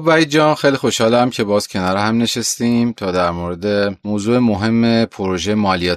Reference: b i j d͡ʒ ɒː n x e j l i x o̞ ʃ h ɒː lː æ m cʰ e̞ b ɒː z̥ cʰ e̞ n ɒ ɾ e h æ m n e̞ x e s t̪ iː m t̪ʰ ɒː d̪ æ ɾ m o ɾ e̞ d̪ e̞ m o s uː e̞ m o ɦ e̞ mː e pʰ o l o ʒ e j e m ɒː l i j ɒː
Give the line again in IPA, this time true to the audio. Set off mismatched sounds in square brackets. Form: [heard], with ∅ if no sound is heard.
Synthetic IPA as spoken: b [æ] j d͡ʒ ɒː n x e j l i x o̞ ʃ h ɒː [l] æ m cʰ e̞ b ɒː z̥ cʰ e̞ n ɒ ɾ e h æ m n e̞ [ʃ] e s t̪ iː m t̪ʰ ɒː d̪ æ ɾ m o ɾ e̞ d̪ e̞ m o [z] uː e̞ m o ɦ e̞ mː e pʰ o [ɾ] o ʒ e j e m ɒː l i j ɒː